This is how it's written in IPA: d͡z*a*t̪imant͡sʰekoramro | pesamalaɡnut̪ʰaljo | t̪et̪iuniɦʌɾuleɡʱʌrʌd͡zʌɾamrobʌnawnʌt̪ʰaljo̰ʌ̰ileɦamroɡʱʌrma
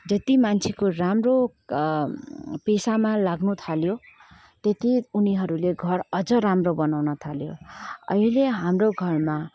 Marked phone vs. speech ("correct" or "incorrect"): incorrect